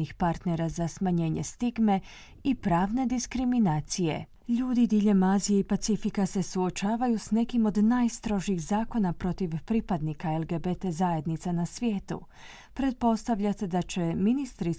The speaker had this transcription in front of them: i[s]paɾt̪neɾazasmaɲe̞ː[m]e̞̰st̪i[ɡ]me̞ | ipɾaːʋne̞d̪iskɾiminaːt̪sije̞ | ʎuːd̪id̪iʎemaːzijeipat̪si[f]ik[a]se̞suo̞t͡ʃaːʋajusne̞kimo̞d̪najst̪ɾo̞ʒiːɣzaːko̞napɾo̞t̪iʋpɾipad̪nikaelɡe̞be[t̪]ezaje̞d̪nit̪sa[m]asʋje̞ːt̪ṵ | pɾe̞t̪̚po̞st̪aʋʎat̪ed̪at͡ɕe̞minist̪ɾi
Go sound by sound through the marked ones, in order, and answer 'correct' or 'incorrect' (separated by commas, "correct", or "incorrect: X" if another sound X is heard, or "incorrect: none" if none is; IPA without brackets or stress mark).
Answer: incorrect: x, incorrect: ɲ, correct, correct, correct, correct, incorrect: n